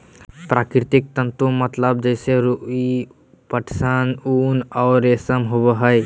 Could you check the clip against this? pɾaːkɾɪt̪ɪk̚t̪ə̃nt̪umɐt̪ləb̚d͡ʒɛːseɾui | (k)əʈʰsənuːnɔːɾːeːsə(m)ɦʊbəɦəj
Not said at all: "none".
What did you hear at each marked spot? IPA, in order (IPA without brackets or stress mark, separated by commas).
p, m